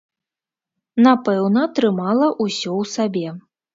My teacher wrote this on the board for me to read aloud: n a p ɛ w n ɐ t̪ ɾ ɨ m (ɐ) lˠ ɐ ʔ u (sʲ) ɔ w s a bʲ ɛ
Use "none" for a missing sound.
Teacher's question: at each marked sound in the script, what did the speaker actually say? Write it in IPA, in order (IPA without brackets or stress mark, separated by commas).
a, sʲ